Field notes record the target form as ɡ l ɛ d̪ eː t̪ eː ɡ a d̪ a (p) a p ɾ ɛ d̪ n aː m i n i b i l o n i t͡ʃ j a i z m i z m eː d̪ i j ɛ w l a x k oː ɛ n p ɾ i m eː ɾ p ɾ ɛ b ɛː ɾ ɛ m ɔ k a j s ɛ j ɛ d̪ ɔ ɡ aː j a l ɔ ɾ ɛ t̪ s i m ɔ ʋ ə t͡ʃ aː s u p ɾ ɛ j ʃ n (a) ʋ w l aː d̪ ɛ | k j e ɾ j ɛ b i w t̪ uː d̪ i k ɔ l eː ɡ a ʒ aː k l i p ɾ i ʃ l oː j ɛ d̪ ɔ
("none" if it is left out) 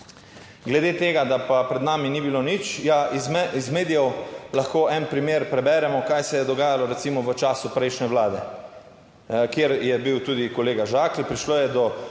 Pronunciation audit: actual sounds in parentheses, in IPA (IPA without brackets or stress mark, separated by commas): p, ɛ